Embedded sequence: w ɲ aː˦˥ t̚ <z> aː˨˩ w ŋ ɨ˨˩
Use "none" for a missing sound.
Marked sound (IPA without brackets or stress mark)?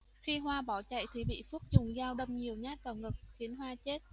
v